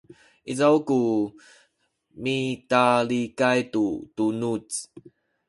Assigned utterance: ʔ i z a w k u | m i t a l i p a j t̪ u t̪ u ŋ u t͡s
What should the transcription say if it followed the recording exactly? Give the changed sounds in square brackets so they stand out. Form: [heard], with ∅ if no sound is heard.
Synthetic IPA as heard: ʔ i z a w k u | m i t a l i [k] a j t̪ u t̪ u [n] u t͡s